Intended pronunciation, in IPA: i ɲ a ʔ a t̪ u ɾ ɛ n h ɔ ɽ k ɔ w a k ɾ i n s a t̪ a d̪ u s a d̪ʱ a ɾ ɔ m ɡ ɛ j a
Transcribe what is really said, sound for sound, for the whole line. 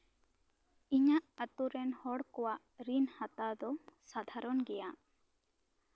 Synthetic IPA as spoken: i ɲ a ʔ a t̪ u ɾ ɛ n h ɔ ɽ k ɔ w a ʔ ɾ i n h a t̪ a d̪ ɔ s a d̪ʱ a ɾ ɔ n ɡ ɛ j a

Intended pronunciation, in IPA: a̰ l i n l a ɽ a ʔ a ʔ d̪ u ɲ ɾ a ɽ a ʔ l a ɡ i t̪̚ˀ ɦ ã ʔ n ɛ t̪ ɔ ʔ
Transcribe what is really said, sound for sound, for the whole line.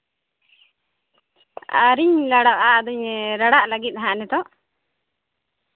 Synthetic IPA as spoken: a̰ ɾ i ɲ l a ɽ a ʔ a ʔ d̪ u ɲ ɾ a ɽ a ʔ l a ɡ i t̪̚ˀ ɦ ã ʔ n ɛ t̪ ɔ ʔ

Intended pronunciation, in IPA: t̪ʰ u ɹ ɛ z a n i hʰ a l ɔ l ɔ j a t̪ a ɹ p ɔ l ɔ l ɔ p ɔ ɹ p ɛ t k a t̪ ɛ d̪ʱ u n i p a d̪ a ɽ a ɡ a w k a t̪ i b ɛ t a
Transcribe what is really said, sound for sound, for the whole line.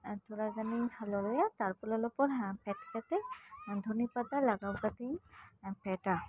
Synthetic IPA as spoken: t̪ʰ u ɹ a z a n i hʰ a l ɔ l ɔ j a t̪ a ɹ p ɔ l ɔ l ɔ p ɔ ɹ p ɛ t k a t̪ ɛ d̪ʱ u n i p a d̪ a l a ɡ a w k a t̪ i p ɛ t a

